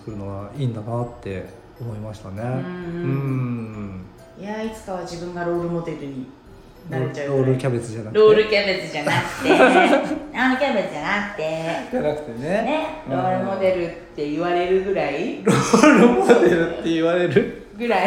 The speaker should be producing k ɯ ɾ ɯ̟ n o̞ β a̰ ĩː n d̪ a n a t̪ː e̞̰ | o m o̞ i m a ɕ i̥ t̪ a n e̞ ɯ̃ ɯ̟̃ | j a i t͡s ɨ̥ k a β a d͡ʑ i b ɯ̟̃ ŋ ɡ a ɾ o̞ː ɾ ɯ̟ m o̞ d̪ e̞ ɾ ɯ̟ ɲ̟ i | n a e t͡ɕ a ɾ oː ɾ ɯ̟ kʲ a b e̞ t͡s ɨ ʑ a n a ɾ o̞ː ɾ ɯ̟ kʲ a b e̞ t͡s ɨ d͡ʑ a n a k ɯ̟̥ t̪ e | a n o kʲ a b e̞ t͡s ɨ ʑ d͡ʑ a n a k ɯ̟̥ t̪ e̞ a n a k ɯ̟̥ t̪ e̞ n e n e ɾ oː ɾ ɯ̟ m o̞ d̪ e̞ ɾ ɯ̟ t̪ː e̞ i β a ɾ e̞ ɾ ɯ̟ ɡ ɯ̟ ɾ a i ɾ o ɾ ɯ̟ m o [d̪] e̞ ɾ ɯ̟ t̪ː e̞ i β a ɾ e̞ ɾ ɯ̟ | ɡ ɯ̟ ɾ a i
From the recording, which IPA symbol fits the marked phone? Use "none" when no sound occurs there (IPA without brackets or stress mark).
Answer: d̪